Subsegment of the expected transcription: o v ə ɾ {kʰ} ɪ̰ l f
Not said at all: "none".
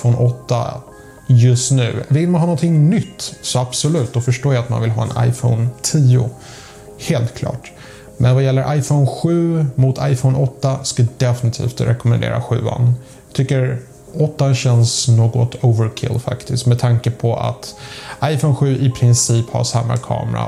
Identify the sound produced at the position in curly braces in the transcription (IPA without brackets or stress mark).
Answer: kʰ